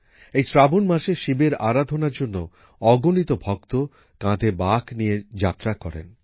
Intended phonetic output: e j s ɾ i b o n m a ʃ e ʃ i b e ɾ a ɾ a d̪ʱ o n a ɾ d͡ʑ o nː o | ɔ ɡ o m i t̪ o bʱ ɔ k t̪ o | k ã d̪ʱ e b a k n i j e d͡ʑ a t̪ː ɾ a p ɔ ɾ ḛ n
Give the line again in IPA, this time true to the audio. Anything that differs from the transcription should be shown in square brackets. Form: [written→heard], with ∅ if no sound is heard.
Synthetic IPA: e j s ɾ [i→a] b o n m a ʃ e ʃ i b e ɾ a ɾ a d̪ʱ o n a ɾ d͡ʑ o nː o | ɔ ɡ o [m→n] i t̪ o bʱ ɔ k t̪ o | k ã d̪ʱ e b a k n i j e d͡ʑ a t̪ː ɾ a [p→k] ɔ ɾ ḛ n